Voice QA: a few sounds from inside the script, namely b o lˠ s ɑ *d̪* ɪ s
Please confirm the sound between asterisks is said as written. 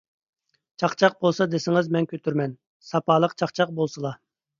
yes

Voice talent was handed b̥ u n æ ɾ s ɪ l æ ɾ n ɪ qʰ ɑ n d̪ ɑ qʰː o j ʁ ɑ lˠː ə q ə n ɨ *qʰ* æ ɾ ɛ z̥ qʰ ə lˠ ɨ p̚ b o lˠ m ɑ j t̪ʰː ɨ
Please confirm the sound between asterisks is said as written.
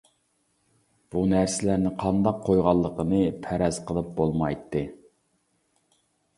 no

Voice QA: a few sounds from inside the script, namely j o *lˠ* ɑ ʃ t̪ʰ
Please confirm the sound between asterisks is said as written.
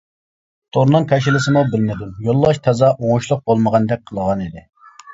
no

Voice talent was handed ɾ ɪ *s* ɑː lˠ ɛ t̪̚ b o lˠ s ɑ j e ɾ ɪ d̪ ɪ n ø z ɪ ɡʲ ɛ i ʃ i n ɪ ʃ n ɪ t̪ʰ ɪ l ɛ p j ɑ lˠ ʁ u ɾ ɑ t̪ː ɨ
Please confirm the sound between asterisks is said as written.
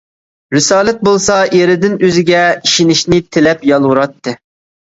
yes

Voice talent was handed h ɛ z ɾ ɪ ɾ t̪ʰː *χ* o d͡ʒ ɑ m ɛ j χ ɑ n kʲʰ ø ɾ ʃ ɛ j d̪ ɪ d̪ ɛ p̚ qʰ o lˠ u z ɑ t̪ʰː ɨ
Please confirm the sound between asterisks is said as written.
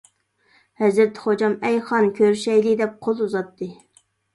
yes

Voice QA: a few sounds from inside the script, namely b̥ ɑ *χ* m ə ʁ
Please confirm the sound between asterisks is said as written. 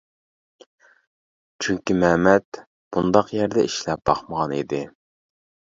yes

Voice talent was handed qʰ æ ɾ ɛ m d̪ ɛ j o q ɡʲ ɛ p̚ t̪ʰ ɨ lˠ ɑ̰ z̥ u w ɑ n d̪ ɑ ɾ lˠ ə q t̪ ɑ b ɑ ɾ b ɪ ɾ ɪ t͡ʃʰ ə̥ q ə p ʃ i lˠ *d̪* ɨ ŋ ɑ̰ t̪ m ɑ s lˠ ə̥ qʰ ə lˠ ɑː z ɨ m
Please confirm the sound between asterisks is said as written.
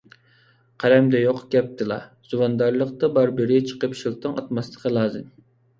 no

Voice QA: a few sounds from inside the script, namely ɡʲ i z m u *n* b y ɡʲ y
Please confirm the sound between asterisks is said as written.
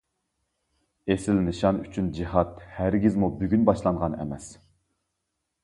no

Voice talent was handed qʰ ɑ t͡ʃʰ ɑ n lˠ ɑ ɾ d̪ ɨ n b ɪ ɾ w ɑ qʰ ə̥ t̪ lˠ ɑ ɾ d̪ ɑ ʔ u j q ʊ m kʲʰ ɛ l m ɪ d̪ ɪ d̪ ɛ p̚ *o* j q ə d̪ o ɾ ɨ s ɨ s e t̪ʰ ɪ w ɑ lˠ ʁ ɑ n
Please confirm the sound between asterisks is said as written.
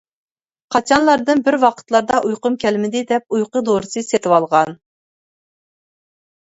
no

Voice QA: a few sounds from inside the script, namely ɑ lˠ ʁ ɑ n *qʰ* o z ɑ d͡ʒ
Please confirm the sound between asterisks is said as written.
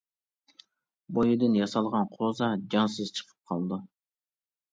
yes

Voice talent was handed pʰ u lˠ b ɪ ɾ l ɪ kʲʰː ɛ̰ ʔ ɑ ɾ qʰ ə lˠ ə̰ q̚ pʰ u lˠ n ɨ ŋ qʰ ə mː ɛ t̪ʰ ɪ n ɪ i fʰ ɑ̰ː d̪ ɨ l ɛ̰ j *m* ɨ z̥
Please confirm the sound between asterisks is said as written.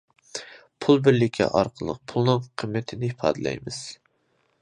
yes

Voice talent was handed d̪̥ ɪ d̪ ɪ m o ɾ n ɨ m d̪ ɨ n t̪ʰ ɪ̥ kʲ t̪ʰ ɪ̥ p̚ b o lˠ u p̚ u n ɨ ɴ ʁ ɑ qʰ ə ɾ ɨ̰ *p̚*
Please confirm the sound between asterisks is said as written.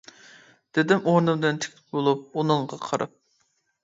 yes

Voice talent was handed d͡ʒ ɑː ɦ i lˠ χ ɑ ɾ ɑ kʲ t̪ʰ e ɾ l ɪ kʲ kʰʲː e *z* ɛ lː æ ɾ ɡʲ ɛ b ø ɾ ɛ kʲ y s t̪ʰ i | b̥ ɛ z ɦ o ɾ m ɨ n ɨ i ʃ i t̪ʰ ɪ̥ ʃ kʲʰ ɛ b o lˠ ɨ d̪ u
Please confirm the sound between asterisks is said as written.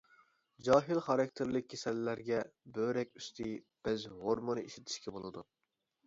no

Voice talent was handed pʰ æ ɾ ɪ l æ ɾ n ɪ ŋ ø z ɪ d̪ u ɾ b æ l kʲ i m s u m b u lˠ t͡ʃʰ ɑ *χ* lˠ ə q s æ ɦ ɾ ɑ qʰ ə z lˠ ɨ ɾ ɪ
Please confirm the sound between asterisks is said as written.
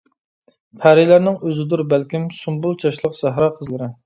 no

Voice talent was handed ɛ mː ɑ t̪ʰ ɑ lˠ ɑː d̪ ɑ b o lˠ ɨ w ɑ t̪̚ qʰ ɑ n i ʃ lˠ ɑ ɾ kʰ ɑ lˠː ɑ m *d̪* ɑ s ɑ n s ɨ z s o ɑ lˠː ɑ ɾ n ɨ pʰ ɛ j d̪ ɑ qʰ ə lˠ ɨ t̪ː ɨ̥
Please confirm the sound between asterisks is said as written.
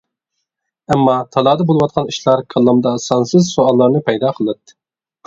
yes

